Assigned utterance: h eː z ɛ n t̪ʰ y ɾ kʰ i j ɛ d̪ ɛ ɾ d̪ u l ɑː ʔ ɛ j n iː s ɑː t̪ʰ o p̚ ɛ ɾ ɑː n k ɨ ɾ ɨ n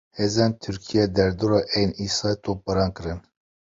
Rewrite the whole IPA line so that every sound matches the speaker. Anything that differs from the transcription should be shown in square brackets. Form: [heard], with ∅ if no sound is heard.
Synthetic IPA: h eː z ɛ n t̪ʰ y ɾ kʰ i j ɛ d̪ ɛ ɾ d̪ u [ɾ] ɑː ʔ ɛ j n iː s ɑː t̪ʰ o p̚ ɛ ɾ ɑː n k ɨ ɾ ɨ n